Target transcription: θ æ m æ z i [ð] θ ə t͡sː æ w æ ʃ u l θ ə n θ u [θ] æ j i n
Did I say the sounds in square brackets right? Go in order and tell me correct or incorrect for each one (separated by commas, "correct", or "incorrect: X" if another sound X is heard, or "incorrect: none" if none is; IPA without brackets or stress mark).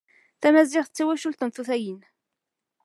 incorrect: ʁ, correct